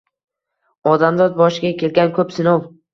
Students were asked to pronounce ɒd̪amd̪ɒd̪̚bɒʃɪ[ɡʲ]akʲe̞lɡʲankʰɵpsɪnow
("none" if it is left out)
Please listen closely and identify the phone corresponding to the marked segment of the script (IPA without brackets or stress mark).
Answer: ɡʲ